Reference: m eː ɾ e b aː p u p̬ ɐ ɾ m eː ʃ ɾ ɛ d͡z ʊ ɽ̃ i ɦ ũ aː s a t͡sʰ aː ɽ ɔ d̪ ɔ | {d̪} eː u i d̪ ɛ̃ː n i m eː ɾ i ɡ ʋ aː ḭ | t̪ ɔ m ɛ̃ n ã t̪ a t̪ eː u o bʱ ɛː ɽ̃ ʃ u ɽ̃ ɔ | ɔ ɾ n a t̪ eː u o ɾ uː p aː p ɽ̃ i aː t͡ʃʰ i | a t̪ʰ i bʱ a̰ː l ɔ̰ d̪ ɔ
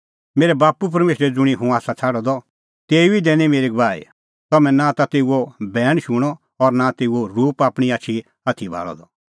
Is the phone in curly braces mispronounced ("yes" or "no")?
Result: yes